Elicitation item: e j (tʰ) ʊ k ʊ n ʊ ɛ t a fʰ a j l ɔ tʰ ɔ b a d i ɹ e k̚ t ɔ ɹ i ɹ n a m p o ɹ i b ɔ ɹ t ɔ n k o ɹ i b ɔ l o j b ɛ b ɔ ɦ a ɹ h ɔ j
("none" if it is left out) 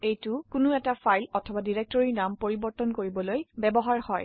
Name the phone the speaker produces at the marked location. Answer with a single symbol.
t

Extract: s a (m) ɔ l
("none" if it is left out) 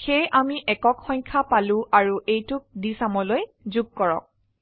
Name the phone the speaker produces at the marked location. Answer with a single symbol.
m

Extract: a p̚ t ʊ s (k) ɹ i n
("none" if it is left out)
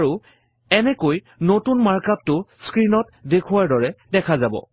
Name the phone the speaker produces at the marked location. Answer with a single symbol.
k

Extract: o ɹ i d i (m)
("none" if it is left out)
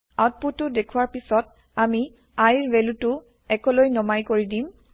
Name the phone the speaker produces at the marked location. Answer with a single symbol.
m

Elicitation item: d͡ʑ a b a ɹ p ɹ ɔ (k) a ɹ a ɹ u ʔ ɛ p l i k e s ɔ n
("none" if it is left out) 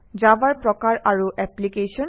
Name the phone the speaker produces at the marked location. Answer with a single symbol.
k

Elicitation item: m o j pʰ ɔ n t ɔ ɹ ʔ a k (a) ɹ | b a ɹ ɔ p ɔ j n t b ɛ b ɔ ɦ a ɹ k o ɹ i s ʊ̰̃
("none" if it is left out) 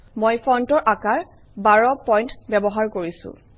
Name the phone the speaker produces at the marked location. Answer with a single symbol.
a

